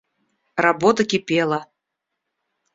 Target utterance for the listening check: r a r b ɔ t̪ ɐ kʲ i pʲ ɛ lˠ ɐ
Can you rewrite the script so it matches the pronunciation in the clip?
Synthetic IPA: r a b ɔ t̪ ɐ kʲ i pʲ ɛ lˠ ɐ